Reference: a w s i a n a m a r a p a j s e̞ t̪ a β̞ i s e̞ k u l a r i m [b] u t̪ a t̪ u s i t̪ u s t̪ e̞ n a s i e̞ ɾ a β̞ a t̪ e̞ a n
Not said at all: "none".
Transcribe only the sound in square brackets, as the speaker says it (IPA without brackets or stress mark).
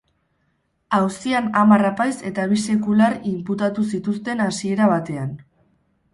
p